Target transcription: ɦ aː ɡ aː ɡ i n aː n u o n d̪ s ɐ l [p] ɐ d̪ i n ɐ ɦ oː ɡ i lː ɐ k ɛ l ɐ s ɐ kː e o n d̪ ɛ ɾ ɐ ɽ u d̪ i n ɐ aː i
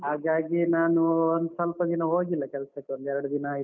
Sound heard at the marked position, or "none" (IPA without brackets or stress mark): p